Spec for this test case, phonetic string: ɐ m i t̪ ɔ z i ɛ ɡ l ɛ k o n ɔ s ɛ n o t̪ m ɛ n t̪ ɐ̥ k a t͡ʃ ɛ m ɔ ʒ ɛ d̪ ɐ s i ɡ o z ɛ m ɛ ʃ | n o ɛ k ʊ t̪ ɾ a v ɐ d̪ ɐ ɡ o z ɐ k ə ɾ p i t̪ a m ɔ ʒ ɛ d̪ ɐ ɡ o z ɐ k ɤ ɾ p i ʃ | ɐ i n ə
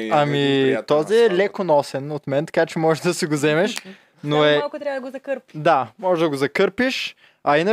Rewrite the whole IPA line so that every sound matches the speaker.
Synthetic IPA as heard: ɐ m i t̪ ɔ z i ɛ l ɛ k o n ɔ s ɛ n o t̪ m ɛ n t̪ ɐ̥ k a t͡ʃ ɛ m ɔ ʒ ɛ d̪ ɐ s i ɡ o z ɛ m ɛ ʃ | n o ɛ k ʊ t̪ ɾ a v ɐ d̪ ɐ ɡ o z ɐ k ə ɾ p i d̪ a m ɔ ʒ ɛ d̪ ɐ ɡ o z ɐ k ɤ ɾ p i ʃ | ɐ i n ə